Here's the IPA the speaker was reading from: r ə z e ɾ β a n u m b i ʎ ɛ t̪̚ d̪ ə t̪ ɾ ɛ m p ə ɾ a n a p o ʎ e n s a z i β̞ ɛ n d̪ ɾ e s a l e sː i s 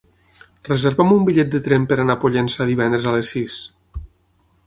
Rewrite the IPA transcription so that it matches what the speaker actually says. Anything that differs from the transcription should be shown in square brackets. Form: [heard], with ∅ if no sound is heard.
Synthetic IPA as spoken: r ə z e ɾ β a [m] u m b i ʎ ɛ t̪̚ d̪ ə t̪ ɾ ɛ m p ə ɾ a n a p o ʎ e n s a [ð] i β̞ ɛ n d̪ ɾ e [z] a l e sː i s